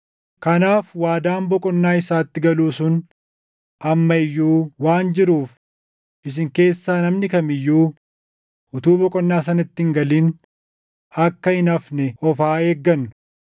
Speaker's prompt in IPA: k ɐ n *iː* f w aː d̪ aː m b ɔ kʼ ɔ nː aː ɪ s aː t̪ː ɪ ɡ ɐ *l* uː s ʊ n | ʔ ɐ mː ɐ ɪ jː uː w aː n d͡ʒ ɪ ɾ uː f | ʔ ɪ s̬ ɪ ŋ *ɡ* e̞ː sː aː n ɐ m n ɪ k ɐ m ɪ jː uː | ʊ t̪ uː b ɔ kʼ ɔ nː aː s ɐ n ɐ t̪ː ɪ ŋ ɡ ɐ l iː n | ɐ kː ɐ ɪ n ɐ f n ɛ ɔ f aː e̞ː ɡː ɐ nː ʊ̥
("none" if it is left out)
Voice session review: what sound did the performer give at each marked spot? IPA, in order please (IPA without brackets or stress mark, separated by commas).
aː, l, k